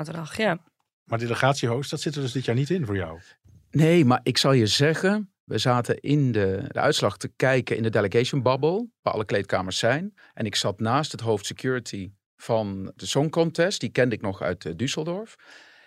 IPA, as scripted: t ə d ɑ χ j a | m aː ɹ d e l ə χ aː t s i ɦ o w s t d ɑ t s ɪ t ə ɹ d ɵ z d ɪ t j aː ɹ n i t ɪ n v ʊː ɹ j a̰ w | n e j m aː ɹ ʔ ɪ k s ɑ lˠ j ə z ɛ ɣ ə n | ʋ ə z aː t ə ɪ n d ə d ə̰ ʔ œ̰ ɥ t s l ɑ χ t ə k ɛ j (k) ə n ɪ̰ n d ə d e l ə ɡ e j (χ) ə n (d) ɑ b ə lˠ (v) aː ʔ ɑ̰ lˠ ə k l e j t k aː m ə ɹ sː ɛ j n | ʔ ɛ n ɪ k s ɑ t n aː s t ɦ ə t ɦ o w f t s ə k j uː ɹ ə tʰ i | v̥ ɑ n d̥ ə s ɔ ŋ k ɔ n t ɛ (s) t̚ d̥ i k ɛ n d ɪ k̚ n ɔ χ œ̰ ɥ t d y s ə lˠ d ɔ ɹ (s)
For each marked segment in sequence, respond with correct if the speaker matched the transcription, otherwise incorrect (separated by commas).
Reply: correct, incorrect, incorrect, incorrect, correct, incorrect